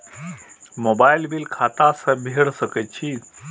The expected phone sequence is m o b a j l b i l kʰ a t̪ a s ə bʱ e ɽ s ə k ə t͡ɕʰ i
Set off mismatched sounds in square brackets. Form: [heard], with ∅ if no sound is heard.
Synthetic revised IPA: m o b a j l b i l kʰ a t̪ a s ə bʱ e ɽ s ə k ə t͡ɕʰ i